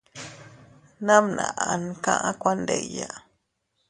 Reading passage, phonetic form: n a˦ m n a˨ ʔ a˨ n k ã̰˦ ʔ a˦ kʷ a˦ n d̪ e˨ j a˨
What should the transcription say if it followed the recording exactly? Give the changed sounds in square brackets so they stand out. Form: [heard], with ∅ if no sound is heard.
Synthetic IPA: n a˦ m n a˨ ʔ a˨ n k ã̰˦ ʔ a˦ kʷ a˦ n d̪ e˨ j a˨